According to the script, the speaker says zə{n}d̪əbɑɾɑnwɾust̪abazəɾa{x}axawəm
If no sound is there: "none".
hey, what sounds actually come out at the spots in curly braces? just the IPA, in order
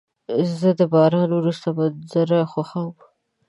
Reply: none, x

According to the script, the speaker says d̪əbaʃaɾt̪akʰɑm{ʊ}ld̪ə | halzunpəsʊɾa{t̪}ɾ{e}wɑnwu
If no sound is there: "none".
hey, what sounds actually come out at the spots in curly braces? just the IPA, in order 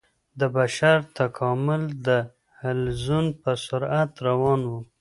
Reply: ʊ, t̪, a

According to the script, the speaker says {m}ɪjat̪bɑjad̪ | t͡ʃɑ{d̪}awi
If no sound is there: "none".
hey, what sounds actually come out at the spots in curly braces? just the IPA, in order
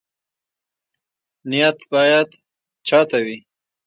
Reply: n, t̪

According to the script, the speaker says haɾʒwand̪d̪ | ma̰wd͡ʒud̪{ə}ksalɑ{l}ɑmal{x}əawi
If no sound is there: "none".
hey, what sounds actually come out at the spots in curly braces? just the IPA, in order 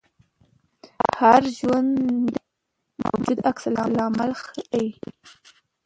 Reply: a, l, x

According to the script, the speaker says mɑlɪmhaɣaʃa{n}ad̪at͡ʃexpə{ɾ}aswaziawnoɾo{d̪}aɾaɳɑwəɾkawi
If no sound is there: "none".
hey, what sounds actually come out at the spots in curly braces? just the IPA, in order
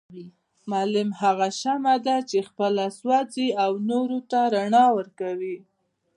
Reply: m, l, t̪

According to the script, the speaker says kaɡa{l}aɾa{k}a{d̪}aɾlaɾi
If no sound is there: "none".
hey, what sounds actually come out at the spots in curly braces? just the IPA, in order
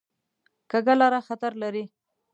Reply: l, x, t̪

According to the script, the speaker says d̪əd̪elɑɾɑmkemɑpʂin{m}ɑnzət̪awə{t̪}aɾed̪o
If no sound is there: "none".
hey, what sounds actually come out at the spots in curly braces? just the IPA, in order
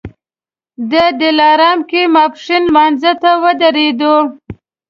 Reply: m, d̪

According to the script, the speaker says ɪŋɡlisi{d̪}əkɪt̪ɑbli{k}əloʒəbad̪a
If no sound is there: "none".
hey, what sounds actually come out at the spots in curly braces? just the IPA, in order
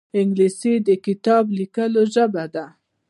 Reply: d̪, k

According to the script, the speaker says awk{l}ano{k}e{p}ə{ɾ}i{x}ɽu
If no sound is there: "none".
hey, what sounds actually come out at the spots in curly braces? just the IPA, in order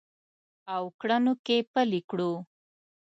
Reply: ɽ, k, p, l, k

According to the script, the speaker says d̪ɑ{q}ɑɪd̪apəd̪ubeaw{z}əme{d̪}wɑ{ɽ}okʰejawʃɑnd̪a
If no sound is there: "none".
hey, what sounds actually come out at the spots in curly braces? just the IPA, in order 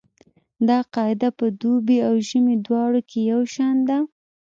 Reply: q, ʒ, d̪, ɽ

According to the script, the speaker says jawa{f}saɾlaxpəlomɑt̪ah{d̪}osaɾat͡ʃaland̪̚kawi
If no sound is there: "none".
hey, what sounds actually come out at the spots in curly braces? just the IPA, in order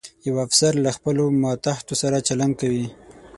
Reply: f, t̪

